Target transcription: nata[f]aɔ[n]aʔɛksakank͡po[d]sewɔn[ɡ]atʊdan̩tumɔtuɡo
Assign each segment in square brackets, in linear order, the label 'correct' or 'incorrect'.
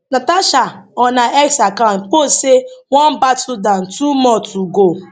incorrect, correct, incorrect, incorrect

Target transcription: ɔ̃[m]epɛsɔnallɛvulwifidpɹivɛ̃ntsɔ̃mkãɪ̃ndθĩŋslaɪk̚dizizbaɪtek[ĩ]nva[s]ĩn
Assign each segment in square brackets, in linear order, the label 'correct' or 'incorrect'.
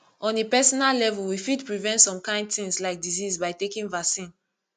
incorrect, correct, correct

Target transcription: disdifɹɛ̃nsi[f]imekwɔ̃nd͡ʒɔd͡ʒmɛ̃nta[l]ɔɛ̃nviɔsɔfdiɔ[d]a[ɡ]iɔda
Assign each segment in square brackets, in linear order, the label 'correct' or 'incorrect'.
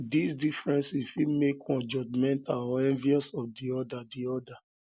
correct, correct, correct, incorrect

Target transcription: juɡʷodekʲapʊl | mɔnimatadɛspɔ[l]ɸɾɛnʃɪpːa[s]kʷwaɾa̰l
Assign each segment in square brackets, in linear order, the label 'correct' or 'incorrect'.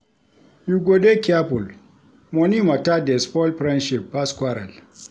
correct, correct

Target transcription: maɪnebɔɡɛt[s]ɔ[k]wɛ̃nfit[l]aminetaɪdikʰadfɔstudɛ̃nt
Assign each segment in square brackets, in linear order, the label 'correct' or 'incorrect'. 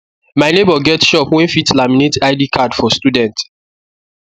incorrect, incorrect, correct

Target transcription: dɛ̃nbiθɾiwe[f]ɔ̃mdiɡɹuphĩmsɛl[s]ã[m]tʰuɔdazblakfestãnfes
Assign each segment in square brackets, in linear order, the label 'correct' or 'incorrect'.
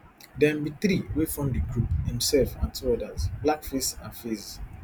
correct, incorrect, incorrect

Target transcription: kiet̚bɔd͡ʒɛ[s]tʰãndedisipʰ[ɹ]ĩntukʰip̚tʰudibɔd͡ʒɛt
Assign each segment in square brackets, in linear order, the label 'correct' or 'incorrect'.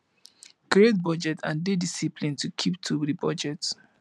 incorrect, incorrect

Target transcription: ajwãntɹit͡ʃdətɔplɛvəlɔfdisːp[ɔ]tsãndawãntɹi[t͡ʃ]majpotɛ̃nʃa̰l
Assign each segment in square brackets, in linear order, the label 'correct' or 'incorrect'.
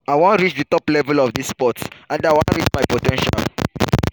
correct, correct

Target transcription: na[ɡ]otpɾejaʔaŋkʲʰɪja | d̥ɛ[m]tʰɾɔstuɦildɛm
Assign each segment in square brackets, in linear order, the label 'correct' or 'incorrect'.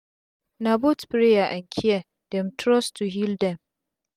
incorrect, correct

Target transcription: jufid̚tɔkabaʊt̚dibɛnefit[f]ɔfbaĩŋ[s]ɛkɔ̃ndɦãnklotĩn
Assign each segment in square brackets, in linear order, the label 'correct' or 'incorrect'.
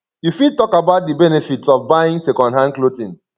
incorrect, correct

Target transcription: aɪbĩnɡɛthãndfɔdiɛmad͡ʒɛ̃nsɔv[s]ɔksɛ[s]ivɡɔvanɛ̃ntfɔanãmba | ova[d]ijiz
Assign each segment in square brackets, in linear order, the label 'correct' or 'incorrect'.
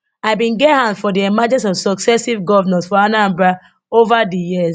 correct, correct, correct

